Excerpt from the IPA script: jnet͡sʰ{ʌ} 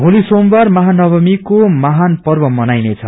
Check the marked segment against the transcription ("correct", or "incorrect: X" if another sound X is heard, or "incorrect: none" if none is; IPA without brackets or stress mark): correct